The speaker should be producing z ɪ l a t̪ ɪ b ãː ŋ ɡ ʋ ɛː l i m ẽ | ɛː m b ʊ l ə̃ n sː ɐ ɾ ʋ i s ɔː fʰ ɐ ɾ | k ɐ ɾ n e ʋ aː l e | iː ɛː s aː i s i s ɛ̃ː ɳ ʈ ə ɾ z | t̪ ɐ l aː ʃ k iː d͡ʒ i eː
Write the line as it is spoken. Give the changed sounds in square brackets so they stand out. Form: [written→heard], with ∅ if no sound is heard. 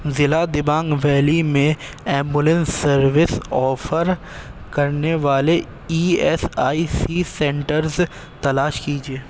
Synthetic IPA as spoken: z ɪ l a [t̪→d̪] ɪ b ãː ŋ ɡ ʋ ɛː l i m ẽ | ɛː m b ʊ l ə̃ n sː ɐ ɾ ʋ [i→ɪ] s ɔː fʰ [ɐ→ə] ɾ | k ɐ ɾ n e ʋ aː l e | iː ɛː s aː i s i s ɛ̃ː ɳ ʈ ə ɾ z | t̪ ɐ l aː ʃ k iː d͡ʒ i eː